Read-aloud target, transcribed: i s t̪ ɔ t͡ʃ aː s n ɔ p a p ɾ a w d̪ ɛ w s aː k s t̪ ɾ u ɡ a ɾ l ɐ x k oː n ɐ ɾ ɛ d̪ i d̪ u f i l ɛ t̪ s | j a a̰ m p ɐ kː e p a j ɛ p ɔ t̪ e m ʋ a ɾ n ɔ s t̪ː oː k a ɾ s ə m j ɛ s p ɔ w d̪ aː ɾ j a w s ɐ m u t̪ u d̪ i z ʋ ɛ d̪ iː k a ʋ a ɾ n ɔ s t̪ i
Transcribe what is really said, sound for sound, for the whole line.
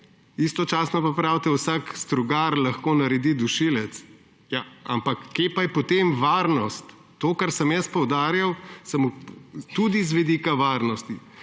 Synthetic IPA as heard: i s t̪ ɔ t͡ʃ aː s n ɔ p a p ɾ a w t̪ ɛ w s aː k s t̪ ɾ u ɡ a ɾ l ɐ x k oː n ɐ ɾ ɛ d̪ i d̪ u ʃ i l ɛ t̪ s | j a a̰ m p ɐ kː e p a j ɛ p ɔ t̪ e m ʋ a ɾ n ɔ s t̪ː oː k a ɾ s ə m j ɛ s p ɔ w d̪ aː ɾ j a w s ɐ m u t̪ u d̪ i z ʋ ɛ d̪ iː k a ʋ a ɾ n ɔ s t̪ i